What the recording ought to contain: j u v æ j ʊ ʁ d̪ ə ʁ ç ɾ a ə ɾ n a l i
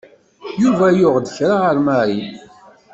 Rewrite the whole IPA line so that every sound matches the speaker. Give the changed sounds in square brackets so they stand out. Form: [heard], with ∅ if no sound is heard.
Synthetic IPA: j u v æ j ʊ ʁ d̪ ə [∅] ç ɾ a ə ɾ [m] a [ɾ] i